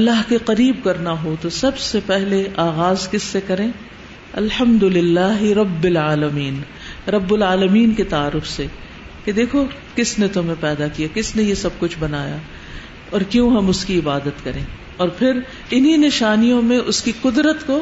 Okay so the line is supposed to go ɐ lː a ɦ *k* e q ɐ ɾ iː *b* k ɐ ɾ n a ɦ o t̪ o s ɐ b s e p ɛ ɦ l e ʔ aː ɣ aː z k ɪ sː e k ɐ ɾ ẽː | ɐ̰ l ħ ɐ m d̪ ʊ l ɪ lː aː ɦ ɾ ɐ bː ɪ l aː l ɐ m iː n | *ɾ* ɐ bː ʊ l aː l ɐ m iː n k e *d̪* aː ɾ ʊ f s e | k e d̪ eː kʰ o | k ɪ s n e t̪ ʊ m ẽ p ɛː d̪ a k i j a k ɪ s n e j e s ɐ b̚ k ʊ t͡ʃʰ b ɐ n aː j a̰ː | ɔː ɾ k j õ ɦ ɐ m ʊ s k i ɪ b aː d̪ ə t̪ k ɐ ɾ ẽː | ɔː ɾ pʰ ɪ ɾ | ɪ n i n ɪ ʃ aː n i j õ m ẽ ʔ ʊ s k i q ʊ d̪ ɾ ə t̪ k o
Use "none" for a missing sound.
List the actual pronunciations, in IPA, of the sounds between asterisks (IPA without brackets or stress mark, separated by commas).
k, b, ɾ, t̪